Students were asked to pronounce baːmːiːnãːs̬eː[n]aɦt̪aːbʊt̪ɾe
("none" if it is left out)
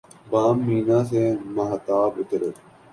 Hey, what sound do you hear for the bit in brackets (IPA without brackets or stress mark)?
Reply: m